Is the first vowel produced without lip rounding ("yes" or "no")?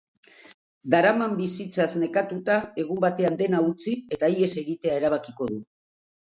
yes